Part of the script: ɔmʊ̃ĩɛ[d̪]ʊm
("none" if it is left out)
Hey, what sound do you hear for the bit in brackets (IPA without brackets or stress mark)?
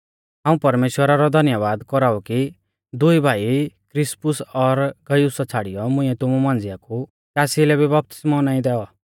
t̪